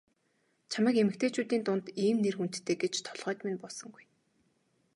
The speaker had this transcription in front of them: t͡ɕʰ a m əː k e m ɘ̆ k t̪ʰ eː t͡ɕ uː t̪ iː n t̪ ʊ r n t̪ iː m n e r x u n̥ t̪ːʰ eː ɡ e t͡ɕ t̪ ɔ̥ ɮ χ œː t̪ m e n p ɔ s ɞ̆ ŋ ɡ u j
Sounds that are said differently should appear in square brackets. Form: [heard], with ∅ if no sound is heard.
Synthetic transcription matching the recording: t͡ɕʰ a m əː k e m ɘ̆ k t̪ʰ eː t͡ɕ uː t̪ iː n t̪ ʊ [∅] n t̪ iː m n e r x u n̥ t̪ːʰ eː ɡ e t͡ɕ [t̪ʰ] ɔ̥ ɮ [ʁ] œː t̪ m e n p ɔ s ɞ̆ ŋ ɡ u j